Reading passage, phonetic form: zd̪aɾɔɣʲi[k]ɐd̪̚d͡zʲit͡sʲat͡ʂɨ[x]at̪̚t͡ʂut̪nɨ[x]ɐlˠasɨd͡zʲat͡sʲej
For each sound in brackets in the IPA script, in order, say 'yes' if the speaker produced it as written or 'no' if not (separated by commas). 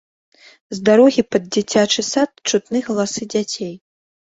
no, no, no